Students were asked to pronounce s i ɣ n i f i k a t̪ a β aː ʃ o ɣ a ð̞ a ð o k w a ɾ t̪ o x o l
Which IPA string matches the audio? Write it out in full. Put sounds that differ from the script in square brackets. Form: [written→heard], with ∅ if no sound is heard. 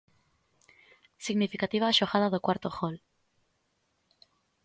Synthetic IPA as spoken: s i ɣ n i f i k a t̪ [a→i] β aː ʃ o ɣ a ð̞ a ð o k w a ɾ t̪ o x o l